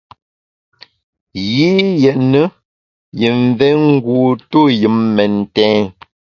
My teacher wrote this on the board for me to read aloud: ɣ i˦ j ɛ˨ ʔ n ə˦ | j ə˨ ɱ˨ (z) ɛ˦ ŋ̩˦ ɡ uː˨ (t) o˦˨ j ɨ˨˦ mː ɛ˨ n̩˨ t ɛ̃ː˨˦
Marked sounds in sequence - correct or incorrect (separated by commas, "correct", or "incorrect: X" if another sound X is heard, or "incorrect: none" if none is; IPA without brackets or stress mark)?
incorrect: v, correct